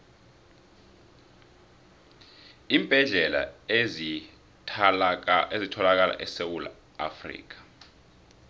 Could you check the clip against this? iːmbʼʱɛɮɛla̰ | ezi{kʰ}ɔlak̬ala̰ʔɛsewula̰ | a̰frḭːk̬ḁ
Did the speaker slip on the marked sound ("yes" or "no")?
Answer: yes